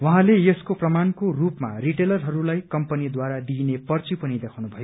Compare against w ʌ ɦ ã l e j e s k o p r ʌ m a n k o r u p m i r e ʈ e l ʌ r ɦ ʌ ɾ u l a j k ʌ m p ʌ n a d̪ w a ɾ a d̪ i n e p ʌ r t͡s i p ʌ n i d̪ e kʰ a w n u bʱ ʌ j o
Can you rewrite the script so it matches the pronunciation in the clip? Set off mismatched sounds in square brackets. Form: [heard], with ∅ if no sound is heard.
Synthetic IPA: w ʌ ɦ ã l e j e s k o p r ʌ m a n k o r u p m [a] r [i] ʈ e l ʌ r ɦ ʌ ɾ u l a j k ʌ m p ʌ n [i] d̪ w a ɾ a d̪ i n e p ʌ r t͡s i p ʌ n i d̪ e kʰ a w n u bʱ ʌ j o